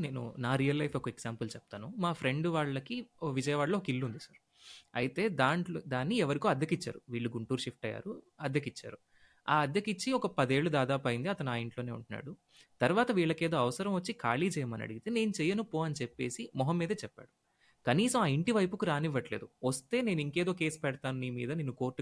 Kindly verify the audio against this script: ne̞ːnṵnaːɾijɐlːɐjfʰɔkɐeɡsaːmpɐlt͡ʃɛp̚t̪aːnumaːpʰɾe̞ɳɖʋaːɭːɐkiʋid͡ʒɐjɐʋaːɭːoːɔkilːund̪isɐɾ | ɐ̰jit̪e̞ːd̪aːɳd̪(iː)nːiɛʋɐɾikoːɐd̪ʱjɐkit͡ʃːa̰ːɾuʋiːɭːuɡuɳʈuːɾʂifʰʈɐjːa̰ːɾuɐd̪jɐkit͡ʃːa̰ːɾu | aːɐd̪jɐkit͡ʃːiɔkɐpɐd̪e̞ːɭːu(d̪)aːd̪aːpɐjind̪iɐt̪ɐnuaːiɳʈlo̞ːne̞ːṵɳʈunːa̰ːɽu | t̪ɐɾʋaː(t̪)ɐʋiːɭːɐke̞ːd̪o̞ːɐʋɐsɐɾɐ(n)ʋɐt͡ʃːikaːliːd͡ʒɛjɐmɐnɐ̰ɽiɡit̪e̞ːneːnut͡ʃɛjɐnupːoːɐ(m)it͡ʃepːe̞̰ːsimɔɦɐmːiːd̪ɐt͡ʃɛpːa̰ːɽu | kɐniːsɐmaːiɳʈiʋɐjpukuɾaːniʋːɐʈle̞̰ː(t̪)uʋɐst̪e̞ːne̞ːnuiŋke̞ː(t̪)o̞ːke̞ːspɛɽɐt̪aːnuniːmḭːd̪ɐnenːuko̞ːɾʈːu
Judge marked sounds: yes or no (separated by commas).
no, yes, yes, no, no, no, no